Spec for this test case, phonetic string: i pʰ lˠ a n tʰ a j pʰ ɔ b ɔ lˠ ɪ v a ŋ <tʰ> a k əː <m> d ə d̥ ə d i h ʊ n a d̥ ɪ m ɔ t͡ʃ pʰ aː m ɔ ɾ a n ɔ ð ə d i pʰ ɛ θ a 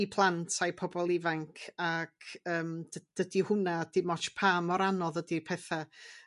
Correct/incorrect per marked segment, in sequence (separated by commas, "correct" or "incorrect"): incorrect, correct